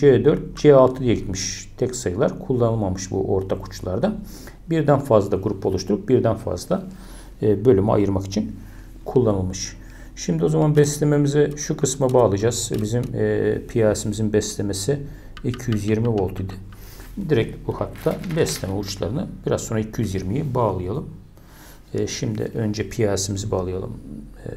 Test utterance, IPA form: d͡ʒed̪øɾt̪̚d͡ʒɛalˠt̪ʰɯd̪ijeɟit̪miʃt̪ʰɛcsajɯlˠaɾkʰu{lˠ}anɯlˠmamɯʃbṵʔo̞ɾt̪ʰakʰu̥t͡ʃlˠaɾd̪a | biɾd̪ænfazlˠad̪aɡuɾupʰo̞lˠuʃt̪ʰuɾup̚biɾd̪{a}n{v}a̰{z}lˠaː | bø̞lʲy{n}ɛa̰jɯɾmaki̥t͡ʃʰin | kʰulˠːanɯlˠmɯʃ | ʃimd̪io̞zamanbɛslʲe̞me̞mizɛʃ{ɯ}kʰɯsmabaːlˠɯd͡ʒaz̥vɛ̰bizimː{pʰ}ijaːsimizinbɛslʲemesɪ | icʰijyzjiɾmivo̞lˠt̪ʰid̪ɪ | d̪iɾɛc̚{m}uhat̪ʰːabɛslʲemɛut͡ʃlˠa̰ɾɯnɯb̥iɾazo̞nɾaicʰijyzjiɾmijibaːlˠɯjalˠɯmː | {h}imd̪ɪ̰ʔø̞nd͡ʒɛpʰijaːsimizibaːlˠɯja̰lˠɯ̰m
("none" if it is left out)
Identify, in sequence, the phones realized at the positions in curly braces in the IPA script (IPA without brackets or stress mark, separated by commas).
lˠː, æ, f, z, m, u, pʰ, b, ʃ